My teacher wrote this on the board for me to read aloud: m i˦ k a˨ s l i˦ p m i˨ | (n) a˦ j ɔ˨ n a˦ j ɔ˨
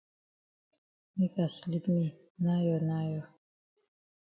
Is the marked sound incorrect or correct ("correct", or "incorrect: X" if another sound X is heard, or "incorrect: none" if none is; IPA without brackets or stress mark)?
correct